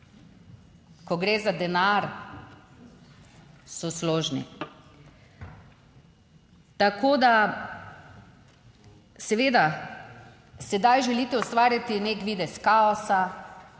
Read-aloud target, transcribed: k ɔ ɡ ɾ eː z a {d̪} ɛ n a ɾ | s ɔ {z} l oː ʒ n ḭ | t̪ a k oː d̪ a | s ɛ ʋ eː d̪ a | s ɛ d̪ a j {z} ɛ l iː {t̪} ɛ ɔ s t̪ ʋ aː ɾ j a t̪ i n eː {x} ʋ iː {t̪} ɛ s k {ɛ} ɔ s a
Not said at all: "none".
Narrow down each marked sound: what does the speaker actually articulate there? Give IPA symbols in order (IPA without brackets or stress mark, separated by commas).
d̪, s, ʒ, t̪, k, d̪, a